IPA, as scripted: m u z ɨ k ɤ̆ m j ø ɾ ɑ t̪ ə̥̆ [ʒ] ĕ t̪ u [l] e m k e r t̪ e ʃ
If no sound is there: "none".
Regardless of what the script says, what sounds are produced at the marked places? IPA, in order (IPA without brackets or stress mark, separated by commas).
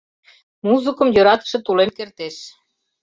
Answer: ʃ, l